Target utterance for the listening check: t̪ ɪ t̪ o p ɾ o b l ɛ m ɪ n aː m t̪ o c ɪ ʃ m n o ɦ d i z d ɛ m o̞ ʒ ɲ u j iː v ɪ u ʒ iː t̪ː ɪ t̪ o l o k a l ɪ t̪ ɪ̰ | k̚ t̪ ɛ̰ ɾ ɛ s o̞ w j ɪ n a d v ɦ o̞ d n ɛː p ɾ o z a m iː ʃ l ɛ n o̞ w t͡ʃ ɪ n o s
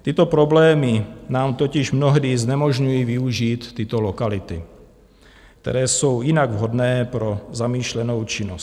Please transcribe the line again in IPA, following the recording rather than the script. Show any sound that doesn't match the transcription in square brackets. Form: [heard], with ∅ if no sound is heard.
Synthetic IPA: t̪ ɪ t̪ o p ɾ o b l [ɛː] m ɪ n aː m t̪ o c ɪ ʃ m n o ɦ d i z [n] ɛ m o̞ ʒ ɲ u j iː v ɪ u ʒ iː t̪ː ɪ t̪ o l o k a l ɪ t̪ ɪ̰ | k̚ t̪ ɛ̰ ɾ [ɛː] s o̞ w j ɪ n a [ɡ] v ɦ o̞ d n ɛː p ɾ o z a m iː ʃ l ɛ n o̞ w t͡ʃ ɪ n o s